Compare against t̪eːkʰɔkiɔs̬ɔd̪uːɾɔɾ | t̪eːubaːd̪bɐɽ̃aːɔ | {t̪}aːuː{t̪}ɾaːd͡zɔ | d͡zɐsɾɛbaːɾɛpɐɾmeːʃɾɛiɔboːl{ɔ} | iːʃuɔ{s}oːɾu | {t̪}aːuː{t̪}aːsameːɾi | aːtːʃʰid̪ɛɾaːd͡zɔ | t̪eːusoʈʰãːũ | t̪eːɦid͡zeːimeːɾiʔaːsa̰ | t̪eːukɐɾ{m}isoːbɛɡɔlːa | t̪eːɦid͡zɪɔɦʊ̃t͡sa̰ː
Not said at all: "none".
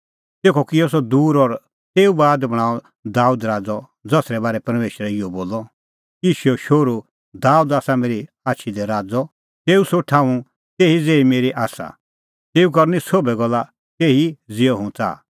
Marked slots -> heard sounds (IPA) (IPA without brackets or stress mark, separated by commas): d̪, d̪, ɔ, ʃ, d̪, d̪, n